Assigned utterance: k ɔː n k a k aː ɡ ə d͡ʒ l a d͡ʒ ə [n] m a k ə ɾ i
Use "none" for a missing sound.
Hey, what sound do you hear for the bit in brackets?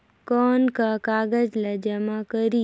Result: none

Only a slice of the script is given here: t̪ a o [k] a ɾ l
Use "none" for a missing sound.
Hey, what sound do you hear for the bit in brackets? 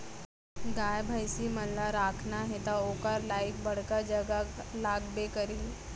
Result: k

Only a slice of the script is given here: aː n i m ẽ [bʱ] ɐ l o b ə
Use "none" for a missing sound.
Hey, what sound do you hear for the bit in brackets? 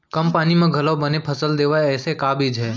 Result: ɡʱ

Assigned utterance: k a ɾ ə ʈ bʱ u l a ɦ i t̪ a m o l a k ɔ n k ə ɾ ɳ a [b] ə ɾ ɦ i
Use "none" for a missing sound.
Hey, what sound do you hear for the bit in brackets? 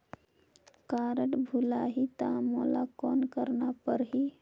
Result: p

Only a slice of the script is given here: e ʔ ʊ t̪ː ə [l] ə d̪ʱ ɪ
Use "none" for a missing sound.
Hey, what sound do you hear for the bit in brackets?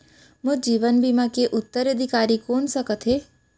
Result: ɾ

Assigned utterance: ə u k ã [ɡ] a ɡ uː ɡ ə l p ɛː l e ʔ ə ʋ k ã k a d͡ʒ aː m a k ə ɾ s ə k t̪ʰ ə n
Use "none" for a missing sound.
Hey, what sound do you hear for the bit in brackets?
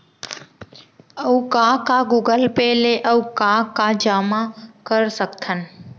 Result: k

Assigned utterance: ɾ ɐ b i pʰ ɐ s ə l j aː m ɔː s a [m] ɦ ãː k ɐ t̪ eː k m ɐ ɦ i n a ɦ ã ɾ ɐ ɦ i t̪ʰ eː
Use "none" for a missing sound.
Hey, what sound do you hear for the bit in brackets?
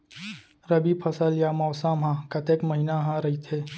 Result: m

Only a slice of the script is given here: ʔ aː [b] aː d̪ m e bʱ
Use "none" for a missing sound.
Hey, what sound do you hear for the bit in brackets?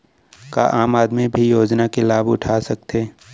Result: m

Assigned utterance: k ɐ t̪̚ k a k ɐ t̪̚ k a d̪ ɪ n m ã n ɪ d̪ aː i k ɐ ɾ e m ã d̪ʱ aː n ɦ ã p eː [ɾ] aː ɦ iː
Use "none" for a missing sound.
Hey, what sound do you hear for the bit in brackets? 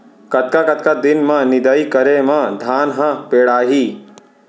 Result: ɽ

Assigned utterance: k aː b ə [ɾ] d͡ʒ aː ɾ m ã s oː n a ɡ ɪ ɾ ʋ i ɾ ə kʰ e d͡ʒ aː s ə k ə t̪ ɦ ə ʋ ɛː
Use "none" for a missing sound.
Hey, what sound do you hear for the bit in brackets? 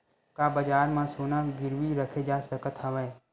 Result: none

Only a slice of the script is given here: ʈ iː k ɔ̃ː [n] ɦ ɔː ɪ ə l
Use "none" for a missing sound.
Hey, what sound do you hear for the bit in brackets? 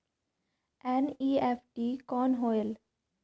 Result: n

